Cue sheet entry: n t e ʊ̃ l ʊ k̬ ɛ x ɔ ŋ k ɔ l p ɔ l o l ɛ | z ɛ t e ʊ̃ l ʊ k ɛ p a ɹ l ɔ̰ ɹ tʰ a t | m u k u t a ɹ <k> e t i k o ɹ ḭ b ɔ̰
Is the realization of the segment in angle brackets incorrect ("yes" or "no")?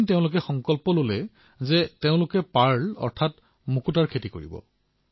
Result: yes